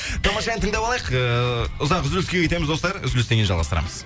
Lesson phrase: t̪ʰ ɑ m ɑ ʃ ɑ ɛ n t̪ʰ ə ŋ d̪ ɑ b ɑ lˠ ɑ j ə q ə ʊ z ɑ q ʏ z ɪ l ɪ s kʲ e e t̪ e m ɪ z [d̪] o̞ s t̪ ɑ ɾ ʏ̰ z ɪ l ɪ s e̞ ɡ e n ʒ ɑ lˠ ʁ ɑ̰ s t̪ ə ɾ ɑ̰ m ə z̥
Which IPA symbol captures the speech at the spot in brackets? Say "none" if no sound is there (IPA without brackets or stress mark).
d̪